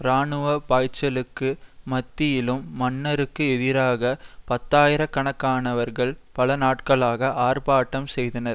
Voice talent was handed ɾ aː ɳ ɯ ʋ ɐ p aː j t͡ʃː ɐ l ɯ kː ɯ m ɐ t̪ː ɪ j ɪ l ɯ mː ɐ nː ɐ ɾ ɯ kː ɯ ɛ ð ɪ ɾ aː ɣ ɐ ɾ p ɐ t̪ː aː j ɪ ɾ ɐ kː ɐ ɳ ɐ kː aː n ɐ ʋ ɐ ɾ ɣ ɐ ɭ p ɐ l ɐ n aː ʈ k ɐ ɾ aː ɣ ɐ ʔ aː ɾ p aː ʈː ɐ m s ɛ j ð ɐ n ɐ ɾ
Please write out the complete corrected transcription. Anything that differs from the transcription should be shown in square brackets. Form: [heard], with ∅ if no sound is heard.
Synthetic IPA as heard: ɾ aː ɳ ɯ ʋ ɐ p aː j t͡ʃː ɐ l ɯ kː ɯ m ɐ t̪ː ɪ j ɪ l ɯ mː ɐ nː ɐ ɾ ɯ kː ɯ ɛ ð ɪ ɾ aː ɣ ɐ [∅] p ɐ t̪ː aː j ɪ ɾ ɐ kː ɐ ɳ ɐ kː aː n ɐ ʋ ɐ ɾ ɣ ɐ ɭ p ɐ l ɐ n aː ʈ k ɐ [ɭ] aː ɣ ɐ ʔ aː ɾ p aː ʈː ɐ m s ɛ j ð ɐ n ɐ ɾ